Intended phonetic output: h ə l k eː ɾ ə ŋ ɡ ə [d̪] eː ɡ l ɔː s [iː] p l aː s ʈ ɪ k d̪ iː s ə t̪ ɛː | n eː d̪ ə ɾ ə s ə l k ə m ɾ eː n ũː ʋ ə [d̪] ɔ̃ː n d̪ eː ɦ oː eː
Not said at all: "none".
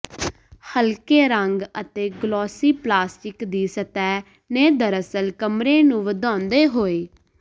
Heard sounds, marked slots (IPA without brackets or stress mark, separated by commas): t̪, iː, d̪